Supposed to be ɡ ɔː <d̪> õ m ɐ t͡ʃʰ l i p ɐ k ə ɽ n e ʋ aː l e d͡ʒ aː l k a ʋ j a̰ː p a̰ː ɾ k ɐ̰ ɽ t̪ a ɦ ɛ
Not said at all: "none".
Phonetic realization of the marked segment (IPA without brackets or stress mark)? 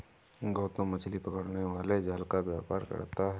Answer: t̪